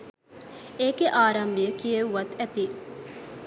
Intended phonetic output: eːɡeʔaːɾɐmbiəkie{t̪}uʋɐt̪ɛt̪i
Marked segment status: incorrect: none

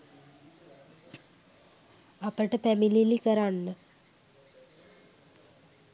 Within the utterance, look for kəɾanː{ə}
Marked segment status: correct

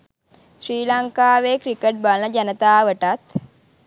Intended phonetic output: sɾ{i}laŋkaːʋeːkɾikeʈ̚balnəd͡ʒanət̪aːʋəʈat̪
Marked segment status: incorrect: iː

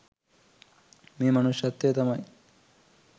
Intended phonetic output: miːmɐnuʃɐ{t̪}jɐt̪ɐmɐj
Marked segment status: correct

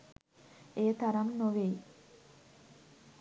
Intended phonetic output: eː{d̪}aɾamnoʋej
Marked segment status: incorrect: t̪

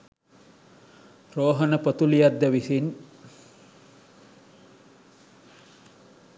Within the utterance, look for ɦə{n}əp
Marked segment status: correct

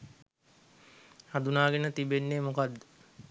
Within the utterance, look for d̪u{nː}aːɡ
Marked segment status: incorrect: n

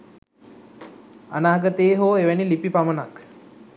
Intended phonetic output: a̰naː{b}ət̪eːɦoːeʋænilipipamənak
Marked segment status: incorrect: ɡ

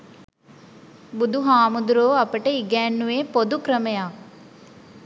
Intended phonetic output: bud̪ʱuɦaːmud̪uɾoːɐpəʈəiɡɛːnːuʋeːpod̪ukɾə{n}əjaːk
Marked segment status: incorrect: m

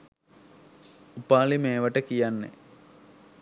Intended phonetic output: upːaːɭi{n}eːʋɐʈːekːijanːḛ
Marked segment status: incorrect: m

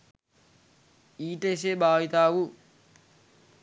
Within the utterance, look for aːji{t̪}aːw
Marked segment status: correct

